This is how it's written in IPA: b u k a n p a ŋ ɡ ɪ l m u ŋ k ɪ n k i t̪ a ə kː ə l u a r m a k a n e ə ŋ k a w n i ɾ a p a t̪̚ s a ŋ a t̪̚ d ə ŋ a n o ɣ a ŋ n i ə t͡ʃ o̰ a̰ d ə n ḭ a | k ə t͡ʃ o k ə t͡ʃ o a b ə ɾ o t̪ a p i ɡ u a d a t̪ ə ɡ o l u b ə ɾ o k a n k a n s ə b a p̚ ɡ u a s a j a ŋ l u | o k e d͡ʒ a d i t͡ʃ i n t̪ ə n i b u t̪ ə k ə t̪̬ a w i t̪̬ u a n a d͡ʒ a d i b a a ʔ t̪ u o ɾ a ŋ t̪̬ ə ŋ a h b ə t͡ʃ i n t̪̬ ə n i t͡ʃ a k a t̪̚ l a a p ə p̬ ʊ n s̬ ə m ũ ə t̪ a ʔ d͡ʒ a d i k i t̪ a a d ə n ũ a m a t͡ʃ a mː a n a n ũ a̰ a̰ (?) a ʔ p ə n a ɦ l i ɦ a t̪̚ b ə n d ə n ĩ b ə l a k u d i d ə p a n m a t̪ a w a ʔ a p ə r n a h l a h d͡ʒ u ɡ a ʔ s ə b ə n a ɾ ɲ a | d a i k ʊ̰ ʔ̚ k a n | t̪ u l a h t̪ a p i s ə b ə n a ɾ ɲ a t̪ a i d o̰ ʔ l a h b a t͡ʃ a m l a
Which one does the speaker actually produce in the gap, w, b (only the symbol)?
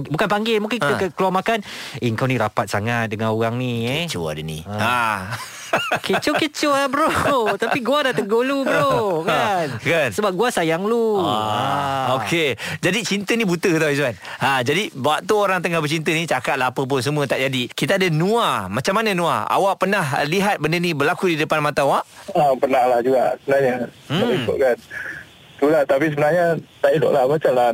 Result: w